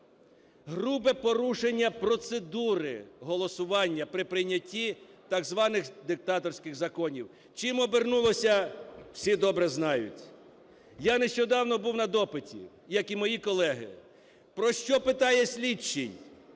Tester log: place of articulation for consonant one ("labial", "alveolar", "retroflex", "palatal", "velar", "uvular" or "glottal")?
glottal